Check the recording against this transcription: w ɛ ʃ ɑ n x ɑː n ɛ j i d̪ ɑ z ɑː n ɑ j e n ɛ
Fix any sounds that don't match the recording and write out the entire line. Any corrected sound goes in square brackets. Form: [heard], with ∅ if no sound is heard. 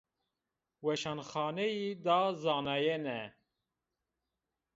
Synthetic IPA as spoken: w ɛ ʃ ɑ n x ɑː n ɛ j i d̪ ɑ z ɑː n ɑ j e n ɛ

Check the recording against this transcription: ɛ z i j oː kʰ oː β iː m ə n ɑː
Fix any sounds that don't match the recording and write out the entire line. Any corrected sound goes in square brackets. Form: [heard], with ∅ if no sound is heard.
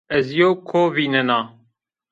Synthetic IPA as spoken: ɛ z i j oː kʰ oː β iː [n] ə n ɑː

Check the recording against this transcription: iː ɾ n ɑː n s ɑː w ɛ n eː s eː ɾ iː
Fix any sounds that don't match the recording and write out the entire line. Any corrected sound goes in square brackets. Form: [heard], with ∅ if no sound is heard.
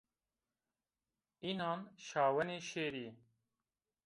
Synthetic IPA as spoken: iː [∅] n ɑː n [ʃ] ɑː w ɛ n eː [ʃ] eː ɾ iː

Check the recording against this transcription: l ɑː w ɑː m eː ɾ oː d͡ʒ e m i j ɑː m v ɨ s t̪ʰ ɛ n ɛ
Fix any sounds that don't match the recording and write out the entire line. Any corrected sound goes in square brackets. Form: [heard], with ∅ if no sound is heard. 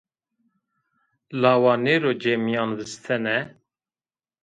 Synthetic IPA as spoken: l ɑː w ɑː [n] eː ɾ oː d͡ʒ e m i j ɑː [n] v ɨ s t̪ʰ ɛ n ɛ

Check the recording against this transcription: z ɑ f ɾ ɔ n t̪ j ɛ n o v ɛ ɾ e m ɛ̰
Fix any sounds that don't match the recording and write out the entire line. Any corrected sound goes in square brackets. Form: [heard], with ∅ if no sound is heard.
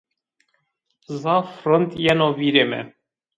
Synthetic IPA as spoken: z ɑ f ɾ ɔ n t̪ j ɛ n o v [i] ɾ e m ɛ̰

